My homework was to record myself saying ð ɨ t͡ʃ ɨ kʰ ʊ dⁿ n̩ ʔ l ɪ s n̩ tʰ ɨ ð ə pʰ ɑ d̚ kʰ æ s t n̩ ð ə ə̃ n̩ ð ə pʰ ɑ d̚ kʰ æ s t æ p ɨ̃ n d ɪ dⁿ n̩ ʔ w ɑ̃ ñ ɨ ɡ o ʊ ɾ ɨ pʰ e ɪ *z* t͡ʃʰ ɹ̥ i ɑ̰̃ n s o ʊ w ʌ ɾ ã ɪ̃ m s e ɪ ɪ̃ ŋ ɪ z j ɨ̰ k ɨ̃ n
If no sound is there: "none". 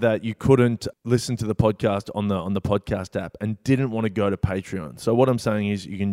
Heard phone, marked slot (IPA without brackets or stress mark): none